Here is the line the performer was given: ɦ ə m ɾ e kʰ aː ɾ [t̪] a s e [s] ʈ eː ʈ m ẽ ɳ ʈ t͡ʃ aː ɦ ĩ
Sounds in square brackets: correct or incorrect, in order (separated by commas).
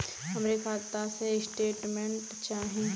correct, correct